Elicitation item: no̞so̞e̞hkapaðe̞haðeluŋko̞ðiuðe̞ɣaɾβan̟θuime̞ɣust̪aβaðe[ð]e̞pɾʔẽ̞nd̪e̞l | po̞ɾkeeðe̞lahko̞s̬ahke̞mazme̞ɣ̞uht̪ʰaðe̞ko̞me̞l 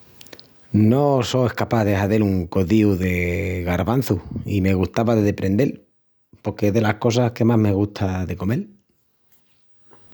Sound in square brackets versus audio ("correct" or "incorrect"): correct